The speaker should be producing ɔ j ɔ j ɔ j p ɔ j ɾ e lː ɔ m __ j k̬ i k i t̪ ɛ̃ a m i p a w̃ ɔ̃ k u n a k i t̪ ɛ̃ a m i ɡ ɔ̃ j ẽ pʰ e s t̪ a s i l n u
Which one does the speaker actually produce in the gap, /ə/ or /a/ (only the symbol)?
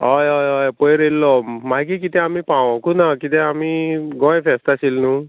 a